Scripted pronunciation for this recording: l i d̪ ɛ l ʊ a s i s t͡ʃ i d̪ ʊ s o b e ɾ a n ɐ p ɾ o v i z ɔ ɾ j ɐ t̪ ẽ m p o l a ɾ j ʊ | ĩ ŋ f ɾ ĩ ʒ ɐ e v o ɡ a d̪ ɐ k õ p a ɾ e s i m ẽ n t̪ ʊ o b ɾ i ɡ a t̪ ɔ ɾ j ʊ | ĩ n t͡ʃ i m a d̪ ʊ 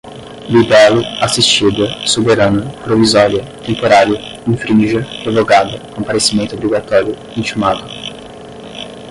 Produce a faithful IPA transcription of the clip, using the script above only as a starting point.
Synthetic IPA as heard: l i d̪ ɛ l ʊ a s i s t͡ʃ i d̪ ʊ s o b e ɾ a n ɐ p ɾ o v i z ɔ ɾ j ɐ t̪ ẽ m p o ɾ a ɾ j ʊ | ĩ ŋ f ɾ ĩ ʒ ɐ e v o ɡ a d̪ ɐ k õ p a ɾ e s i m ẽ n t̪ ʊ o b ɾ i ɡ a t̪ ɔ ɾ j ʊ | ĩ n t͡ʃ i m a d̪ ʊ

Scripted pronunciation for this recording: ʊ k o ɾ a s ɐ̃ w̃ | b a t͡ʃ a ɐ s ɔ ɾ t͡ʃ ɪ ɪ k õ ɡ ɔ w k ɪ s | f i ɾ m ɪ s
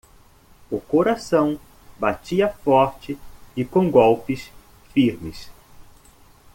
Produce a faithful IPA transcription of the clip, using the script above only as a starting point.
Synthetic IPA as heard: ʊ k o ɾ a s ɐ̃ w̃ | b a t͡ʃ i ɐ f ɔ ɾ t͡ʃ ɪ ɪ k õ ɡ ɔ w p ɪ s | f i ɾ m ɪ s

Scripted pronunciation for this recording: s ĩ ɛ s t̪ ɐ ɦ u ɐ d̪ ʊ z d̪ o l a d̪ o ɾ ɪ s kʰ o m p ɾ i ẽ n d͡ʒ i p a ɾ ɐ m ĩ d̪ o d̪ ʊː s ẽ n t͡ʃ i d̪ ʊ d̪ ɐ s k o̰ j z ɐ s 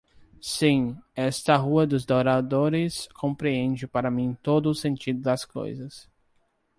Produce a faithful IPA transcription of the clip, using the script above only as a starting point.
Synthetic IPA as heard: s ĩ ɛ s t̪ ɐ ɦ u ɐ d̪ ʊ z d̪ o ɾ a d̪ o ɾ ɪ s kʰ õ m p ɾ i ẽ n d͡ʒ ɪ p a ɾ ɐ m ĩ t̪ o d̪ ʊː s ẽ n t͡ʃ i d̪ ʊ d̪ ɐ s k o̰ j z ɐ s

